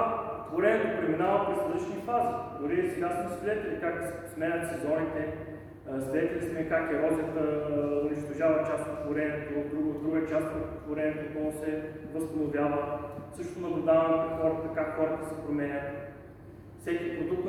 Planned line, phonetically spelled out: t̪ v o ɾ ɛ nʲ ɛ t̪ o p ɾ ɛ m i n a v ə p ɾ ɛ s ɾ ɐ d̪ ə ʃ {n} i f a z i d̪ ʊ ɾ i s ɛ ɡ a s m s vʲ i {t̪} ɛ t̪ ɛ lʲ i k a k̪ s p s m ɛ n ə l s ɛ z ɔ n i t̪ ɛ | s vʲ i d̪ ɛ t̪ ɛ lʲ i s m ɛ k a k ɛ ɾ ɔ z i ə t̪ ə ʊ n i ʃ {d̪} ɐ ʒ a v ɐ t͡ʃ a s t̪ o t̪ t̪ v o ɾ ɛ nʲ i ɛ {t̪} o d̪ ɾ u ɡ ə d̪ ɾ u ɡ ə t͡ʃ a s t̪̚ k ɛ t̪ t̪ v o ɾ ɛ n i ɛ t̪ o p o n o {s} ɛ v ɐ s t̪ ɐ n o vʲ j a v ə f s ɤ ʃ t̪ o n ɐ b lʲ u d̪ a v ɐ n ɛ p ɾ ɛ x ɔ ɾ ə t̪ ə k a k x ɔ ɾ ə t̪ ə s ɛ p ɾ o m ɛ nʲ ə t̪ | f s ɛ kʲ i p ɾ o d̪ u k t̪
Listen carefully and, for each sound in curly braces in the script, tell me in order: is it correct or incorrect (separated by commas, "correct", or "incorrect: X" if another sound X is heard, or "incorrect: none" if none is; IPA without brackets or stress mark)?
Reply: correct, incorrect: d̪, incorrect: t̪, correct, correct